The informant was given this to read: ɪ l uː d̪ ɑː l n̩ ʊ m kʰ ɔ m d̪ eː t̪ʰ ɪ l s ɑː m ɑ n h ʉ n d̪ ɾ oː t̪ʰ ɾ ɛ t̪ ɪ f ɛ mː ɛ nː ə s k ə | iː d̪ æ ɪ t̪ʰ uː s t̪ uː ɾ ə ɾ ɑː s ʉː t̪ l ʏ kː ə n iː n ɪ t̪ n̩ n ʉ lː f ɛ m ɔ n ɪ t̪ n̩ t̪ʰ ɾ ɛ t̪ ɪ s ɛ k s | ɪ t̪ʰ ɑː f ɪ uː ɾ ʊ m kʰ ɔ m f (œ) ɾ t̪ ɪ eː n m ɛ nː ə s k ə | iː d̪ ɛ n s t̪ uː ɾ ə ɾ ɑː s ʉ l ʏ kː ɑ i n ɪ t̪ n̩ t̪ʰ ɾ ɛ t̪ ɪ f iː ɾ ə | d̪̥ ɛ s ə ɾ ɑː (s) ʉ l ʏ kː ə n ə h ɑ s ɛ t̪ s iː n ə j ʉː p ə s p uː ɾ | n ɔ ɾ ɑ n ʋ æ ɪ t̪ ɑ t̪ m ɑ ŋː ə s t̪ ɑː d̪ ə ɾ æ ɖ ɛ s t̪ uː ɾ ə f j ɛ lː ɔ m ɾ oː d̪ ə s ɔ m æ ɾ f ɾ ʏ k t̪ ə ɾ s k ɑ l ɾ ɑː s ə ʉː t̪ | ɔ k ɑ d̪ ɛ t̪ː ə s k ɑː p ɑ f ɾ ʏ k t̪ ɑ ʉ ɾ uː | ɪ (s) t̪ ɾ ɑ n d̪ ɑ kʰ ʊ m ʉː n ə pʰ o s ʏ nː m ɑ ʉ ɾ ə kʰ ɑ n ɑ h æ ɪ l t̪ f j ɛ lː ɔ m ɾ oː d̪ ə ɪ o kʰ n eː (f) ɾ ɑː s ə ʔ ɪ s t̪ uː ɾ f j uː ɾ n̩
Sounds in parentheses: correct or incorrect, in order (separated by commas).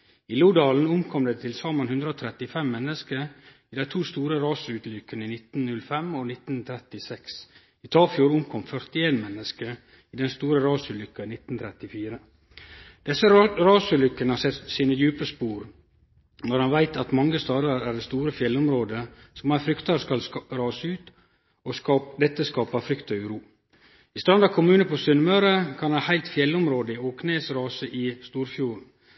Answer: correct, correct, correct, incorrect